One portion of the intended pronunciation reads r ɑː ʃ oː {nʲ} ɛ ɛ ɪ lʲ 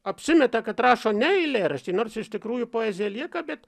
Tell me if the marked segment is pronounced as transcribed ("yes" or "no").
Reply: yes